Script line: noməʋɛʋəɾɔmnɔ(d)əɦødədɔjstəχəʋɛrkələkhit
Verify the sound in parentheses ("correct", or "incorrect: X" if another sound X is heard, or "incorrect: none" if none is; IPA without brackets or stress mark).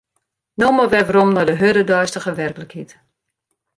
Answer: correct